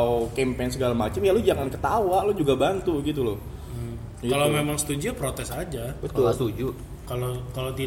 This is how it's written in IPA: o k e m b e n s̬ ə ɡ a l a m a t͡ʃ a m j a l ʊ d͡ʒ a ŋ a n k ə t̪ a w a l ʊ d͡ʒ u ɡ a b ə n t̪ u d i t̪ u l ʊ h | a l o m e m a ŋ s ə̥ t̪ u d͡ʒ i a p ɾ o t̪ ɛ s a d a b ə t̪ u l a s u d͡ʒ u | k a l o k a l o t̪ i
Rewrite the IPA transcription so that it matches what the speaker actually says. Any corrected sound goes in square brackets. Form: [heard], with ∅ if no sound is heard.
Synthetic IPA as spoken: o k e m [p] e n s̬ ə ɡ a l a m a t͡ʃ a m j a l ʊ d͡ʒ a ŋ a n k ə t̪ a w a l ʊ d͡ʒ u ɡ a b [a] n t̪ u [ɡ] i t̪ u l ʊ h | a l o m e m a ŋ s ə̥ t̪ u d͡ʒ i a p ɾ o t̪ ɛ s a [d͡ʒ] a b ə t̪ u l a s u d͡ʒ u | k a l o k a l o t̪ i